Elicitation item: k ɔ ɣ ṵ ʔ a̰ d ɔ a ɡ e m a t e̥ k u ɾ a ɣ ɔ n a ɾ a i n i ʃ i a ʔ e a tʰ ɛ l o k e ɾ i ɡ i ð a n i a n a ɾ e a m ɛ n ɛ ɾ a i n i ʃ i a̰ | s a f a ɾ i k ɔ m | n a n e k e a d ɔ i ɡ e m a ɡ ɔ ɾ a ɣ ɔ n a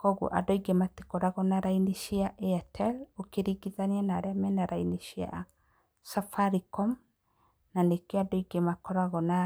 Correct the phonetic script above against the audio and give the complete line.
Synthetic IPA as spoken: k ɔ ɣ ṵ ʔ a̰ d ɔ i ɡ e m a t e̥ k ɔ ɾ a ɣ ɔ n a ɾ a i n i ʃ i a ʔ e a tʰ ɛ l o k e ɾ i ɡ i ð a n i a n a ɾ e a m ɛ n a ɾ a i n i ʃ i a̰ | s a f a ɾ i k ɔ m | n a n e k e a d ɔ i ɡ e m a k ɔ ɾ a ɣ ɔ n a